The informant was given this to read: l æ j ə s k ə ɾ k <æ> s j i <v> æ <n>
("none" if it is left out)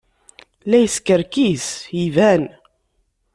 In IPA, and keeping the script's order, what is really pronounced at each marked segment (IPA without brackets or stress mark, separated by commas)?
i, v, n